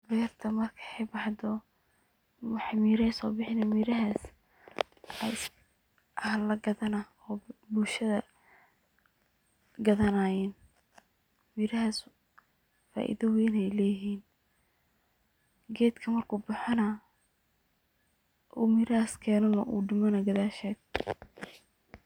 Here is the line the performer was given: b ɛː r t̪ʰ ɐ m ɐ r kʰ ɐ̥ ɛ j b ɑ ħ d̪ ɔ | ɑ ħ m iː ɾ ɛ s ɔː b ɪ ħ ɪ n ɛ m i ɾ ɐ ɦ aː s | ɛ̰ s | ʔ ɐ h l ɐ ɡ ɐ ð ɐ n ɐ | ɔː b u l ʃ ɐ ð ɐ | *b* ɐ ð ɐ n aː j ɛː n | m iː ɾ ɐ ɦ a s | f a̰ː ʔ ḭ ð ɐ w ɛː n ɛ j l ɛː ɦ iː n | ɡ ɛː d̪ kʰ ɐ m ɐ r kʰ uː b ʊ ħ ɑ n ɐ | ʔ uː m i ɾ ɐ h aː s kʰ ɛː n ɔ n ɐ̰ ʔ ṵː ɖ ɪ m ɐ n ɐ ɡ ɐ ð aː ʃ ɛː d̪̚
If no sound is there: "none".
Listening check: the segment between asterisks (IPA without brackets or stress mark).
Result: ɡ